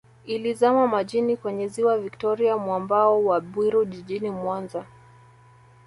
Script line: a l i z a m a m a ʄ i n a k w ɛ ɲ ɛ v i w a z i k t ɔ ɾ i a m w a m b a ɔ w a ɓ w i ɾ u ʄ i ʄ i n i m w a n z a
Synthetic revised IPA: i l i z a m a m a ʄ i n i k w ɛ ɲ ɛ z i w a v i k t ɔ ɾ i a m w a m b a ɔ w a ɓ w i ɾ u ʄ i ʄ i n i m w a n z a